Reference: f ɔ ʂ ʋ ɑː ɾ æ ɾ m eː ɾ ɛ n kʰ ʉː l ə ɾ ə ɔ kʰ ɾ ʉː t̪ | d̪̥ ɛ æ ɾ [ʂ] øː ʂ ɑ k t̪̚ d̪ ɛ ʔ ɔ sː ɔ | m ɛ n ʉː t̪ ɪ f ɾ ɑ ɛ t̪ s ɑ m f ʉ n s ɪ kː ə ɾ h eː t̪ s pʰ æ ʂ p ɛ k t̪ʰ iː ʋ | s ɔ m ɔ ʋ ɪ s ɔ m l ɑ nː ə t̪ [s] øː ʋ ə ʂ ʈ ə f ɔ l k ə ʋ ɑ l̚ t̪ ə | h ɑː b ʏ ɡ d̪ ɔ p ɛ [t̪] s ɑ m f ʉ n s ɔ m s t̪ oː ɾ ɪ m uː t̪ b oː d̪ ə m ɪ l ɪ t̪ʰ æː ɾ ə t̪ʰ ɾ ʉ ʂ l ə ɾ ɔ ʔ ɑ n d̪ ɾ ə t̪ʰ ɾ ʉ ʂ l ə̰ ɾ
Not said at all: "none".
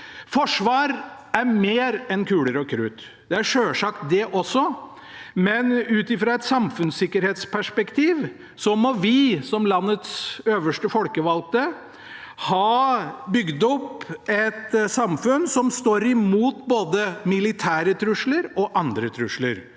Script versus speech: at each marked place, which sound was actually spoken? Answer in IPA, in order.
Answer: ʂ, s, t̪

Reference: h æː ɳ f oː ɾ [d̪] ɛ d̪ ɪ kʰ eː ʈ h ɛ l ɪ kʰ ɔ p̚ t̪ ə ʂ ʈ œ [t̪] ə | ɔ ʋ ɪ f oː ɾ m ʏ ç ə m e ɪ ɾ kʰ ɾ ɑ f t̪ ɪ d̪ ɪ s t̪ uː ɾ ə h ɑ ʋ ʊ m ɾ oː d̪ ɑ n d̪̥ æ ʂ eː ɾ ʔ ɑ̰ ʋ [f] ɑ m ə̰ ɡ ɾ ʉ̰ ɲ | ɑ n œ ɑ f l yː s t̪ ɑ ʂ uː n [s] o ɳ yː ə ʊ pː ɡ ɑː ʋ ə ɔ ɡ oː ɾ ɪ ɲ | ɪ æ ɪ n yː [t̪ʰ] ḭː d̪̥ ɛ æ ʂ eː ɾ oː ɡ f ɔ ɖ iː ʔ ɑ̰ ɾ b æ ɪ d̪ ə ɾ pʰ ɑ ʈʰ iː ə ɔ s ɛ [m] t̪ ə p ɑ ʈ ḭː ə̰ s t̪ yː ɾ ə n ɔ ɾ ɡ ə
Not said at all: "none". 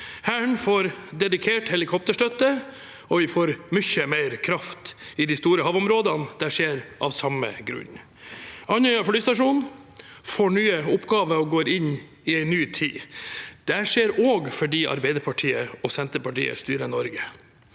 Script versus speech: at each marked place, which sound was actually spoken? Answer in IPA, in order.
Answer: d̪, t̪, s, f, t̪ʰ, n

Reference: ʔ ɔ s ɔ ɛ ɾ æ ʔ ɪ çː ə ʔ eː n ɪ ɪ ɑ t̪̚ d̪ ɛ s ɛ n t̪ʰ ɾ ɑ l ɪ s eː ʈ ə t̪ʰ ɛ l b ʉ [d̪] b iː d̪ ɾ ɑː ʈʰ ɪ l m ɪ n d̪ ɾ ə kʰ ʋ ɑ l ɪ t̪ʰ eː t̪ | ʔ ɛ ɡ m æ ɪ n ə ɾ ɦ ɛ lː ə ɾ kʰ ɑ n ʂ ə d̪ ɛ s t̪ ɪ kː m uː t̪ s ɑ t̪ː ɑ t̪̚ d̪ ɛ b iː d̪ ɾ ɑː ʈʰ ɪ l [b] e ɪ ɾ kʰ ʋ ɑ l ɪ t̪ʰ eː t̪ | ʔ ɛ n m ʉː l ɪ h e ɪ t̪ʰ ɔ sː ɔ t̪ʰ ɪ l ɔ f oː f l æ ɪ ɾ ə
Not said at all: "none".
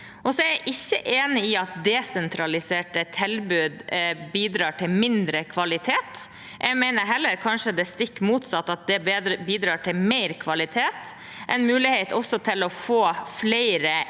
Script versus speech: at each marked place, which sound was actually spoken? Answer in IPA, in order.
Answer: d̪, m

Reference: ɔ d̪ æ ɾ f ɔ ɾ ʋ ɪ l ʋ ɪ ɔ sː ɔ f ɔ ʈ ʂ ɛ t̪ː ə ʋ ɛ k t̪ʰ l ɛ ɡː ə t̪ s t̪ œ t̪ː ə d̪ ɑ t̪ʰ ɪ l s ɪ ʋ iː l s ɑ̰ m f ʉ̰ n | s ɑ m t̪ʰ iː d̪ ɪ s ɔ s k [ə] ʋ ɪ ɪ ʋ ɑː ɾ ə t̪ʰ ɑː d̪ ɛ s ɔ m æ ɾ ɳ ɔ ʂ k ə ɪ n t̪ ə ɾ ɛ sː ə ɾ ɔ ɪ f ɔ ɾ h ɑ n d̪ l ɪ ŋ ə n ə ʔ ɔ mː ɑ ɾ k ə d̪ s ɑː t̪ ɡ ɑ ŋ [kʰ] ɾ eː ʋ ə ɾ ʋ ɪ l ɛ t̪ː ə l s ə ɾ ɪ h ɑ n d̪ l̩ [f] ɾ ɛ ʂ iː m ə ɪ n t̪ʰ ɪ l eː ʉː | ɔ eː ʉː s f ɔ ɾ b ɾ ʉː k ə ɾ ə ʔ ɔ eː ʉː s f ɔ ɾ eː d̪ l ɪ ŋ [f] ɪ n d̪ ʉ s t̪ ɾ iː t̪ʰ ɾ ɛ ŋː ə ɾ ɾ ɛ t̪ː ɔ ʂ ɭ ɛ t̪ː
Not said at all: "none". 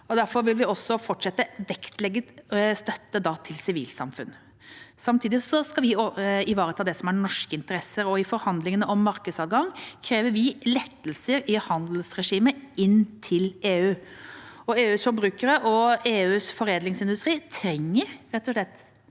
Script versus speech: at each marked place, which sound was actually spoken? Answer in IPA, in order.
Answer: ɑ, kʰ, s, s

